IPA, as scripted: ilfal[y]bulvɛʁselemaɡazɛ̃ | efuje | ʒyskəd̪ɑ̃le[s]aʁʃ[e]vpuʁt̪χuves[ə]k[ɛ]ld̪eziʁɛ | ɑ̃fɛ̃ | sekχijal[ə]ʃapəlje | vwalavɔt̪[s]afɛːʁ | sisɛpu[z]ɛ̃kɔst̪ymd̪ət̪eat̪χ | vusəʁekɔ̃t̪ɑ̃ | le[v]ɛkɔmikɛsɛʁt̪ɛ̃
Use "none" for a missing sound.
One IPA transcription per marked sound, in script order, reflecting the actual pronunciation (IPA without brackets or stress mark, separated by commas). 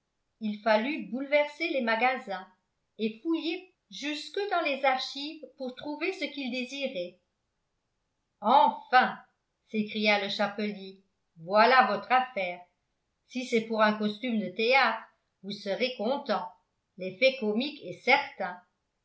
y, z, i, ə, i, ə, χ, ʁ, f